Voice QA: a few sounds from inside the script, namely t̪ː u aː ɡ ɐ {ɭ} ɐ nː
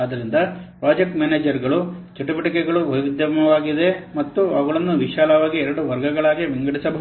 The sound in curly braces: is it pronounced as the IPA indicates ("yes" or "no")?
yes